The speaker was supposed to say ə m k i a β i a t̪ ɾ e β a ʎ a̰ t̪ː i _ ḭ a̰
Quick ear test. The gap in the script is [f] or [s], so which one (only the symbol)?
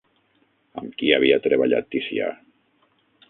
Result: s